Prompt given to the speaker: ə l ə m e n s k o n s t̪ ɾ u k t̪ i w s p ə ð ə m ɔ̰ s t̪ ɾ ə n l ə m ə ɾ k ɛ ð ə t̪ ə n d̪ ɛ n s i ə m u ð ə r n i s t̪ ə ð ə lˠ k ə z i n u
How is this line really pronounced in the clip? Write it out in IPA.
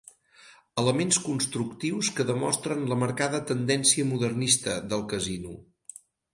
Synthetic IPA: ə l ə m e n s k u n s t̪ ɾ u k t̪ i w s k ə ð ə m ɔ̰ s t̪ ɾ ə n l ə m ə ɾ k a ð ə t̪ ə n d̪ ɛ n s i ə m u ð ə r n i s t̪ ə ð ə lˠ k ə z i n u

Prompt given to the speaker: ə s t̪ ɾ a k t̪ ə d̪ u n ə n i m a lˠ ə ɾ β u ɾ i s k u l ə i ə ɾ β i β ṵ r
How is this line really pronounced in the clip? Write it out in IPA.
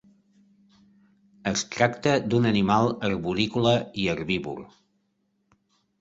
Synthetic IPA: ə s t̪ ɾ a k t̪ ə d̪ u n ə n i m a lˠ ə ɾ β u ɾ i k u l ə i ə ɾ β i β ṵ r

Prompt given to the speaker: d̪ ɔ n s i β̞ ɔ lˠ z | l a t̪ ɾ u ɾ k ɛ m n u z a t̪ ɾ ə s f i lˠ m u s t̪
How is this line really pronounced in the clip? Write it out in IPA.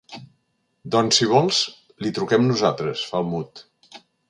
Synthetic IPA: d̪ ɔ n s i β̞ ɔ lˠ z | l i t̪ ɾ u k ɛ m n u z a t̪ ɾ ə s f a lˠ m u t̪

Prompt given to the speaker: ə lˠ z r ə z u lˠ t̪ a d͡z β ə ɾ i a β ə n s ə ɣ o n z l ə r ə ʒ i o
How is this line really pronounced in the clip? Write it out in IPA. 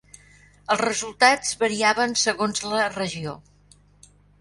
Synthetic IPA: ə lˠ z r ə z u lˠ t̪ a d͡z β ə ɾ i a β ə n s ə ɣ o n z l ə r ə ʒ i o

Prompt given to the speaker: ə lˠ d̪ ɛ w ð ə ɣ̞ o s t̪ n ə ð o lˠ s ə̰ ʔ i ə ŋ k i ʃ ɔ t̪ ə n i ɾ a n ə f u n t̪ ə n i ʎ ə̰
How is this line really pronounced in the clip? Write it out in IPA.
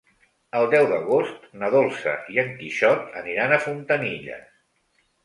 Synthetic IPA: ə lˠ d̪ ɛ w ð ə ɣ̞ o s t̪ n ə ð o lˠ s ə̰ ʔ i ə ŋ k i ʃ ɔ t̪ ə n i ɾ a n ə f u n t̪ ə n i ʎ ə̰

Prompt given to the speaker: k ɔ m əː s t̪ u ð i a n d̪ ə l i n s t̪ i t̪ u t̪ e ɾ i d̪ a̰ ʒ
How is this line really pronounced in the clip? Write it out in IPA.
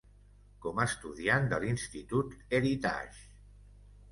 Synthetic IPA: k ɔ m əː s t̪ u ð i a n d̪ ə l i n s t̪ i t̪ u t̪ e ɾ i t̪ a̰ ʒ

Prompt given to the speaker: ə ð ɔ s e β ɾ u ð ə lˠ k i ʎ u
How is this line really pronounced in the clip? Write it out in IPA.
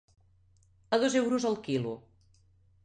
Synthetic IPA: ə ð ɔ z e w ɾ u z ə lˠ k i l u

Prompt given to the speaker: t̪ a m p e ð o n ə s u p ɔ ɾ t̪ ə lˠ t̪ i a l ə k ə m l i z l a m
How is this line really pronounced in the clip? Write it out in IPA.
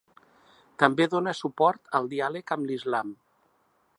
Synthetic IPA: t̪ ə m b e ð o n ə s u p ɔ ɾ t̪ ə lˠ d̪ i a l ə k ə m l i z l a m

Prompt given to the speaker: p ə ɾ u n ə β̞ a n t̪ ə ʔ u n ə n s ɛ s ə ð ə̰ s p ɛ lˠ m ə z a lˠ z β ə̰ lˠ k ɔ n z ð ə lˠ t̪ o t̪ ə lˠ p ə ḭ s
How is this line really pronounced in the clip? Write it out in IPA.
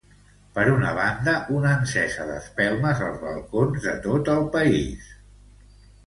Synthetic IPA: p ə ɾ u n ə β̞ a n d̪ ə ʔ u n ə n s ɛ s ə ð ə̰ s p ɛ lˠ m ə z ə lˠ z β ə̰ lˠ k o n z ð ə t̪ o t̪ ə lˠ p ə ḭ s

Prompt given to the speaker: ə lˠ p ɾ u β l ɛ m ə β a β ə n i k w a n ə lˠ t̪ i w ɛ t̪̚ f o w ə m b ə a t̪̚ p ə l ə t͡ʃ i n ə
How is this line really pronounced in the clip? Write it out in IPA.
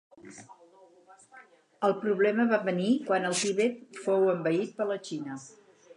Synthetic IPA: ə lˠ p ɾ u β l ɛ m ə β a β ə n i k w a n ə lˠ t̪ i β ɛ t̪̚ f o w ə m b ə i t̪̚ p ə l ə t͡ʃ i n ə

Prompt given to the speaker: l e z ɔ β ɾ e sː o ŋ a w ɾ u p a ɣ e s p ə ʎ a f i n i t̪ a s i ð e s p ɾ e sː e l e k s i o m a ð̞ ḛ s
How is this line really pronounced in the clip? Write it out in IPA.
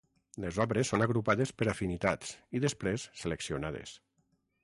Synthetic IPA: l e z ɔ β ɾ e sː o n a ɣ ɾ u p a ð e s p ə ɾ a f i n i t̪ a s i ð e s p ɾ e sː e l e k s i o n a ð̞ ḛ s

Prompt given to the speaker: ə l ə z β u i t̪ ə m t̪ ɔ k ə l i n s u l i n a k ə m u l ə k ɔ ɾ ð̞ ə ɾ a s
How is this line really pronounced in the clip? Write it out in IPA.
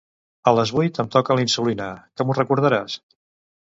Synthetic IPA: ə l ə z β u j t̪ ə m t̪ ɔ k ə l i n s u l i n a k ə m u r ə k u ɾ ð̞ ə ɾ a s

